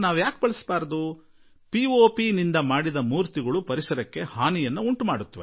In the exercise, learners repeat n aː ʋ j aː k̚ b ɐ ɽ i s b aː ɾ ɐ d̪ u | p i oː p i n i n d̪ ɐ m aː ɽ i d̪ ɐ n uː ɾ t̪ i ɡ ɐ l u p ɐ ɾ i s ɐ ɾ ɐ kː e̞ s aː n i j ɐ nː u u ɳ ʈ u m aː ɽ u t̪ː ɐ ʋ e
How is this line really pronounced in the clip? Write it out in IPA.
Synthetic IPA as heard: n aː ʋ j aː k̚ b ɐ ɭ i s b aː ɾ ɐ d̪ u | p i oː p i n i n d̪ ɐ m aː ɽ i d̪ ɐ m uː ɾ t̪ i ɡ ɐ ɭ u p ɐ ɾ i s ɐ ɾ ɐ kː e̞ h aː n i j ɐ nː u u ɳ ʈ u m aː ɽ u t̪ː ɐ ʋ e